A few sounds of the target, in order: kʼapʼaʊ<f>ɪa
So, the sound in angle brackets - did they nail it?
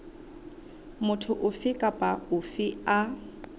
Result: yes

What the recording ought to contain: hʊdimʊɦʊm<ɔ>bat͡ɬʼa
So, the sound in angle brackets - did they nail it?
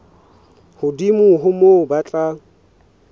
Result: no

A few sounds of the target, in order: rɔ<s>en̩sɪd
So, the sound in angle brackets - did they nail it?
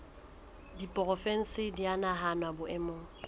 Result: no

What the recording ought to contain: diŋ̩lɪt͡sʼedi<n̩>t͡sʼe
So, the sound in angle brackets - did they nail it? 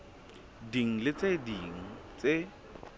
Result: no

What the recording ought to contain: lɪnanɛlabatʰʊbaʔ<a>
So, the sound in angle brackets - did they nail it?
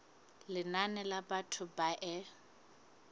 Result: no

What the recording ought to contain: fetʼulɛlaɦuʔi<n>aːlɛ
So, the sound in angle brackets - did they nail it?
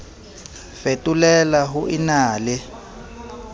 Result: yes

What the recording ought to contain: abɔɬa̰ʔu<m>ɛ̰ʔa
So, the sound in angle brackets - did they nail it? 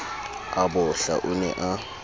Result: no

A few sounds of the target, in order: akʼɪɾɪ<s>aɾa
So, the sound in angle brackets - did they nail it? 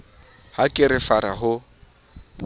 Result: no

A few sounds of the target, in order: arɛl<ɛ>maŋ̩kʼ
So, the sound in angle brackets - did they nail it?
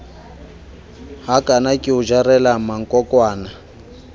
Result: no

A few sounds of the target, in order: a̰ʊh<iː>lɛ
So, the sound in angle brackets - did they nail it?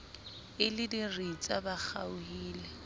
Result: yes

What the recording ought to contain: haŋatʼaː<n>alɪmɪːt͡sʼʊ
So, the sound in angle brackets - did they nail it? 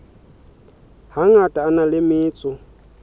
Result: yes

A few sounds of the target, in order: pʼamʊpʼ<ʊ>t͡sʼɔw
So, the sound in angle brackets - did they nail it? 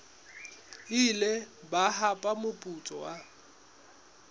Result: no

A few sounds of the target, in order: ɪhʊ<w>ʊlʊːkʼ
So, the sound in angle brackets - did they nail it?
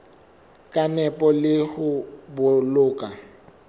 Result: no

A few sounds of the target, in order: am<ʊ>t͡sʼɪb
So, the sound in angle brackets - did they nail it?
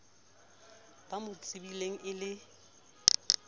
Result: yes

